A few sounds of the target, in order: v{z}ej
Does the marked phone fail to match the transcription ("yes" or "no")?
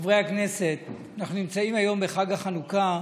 yes